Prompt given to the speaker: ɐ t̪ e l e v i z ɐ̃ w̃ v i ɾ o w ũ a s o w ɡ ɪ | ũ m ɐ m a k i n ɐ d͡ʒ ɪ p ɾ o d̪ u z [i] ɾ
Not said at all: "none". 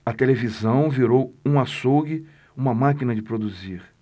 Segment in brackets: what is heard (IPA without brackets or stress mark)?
i